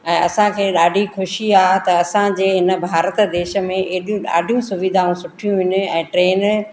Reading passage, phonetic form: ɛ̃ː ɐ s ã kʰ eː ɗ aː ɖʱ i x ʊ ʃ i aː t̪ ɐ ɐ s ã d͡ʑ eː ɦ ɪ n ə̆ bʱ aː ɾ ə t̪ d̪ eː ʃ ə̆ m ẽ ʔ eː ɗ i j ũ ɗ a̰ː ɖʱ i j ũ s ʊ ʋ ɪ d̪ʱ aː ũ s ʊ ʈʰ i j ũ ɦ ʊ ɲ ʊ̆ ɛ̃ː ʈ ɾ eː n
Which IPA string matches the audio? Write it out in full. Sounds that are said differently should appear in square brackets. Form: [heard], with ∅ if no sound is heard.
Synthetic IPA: ɛ̃ː ɐ s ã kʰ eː ɗ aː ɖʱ i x ʊ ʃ i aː t̪ ɐ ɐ s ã d͡ʑ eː ɦ ɪ n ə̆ bʱ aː ɾ ə t̪ d̪ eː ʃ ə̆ m ẽ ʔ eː ɗ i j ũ ɗ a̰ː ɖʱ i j ũ s ʊ ʋ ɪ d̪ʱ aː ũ s ʊ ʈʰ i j ũ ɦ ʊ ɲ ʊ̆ ɛ̃ː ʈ ɾ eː n